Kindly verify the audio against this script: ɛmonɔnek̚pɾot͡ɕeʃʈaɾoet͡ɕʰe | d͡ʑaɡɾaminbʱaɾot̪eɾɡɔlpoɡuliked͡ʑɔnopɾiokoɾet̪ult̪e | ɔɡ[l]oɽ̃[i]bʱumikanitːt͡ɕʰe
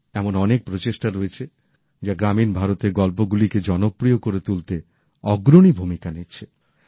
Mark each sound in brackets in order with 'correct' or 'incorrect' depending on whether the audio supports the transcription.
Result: incorrect: ɾ, correct

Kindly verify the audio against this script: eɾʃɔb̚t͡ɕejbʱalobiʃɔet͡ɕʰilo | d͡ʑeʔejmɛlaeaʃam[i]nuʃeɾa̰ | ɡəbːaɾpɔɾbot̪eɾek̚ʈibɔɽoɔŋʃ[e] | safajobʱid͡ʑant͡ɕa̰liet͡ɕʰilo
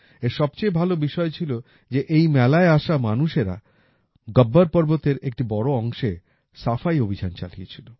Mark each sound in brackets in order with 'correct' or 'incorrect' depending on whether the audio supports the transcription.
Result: incorrect: a, correct

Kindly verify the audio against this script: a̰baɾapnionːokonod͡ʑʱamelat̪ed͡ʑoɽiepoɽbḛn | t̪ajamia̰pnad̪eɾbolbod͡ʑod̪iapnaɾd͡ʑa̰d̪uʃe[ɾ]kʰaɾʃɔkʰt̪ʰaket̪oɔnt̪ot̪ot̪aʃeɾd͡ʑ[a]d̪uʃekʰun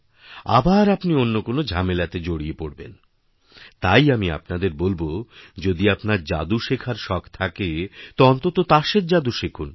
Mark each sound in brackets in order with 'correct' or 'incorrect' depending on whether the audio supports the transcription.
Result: incorrect: none, correct

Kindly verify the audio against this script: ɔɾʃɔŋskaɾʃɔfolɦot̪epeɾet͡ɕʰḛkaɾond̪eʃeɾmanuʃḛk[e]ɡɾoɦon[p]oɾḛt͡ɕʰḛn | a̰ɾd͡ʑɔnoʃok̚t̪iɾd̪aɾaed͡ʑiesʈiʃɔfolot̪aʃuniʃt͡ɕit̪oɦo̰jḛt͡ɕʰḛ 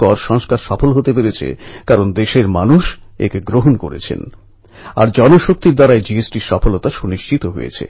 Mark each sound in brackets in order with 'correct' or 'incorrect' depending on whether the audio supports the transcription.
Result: correct, incorrect: k

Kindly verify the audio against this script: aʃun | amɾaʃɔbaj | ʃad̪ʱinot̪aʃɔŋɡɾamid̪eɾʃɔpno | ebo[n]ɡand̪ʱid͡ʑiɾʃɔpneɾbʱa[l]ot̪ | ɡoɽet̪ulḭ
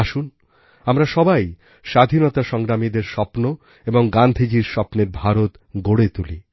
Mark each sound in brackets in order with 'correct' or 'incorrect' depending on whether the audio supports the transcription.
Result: incorrect: ŋ, incorrect: ɾ

